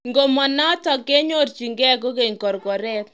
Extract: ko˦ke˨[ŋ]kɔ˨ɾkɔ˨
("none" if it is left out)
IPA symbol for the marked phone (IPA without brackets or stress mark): ŋ